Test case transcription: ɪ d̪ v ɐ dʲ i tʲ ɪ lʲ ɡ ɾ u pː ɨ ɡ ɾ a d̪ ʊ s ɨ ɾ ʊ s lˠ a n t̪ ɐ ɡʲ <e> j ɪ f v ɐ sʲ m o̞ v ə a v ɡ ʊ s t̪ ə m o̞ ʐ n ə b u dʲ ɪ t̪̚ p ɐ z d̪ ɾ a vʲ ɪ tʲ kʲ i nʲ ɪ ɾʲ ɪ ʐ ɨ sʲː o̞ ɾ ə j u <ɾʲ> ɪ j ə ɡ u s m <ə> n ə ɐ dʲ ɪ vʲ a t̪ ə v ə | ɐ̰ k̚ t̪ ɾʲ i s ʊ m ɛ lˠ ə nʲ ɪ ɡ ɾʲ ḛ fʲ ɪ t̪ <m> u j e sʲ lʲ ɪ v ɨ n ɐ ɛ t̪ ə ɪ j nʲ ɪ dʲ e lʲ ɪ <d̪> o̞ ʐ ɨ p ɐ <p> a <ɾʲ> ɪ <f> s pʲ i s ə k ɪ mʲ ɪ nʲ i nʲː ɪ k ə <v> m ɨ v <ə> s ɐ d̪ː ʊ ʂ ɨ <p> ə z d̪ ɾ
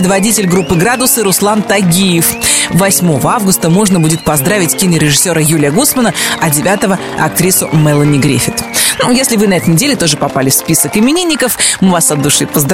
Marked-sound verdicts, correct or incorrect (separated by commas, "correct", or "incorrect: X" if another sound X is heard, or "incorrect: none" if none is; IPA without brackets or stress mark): incorrect: i, incorrect: lʲ, correct, incorrect: n, incorrect: t̪, correct, incorrect: lʲ, correct, incorrect: f, incorrect: a, correct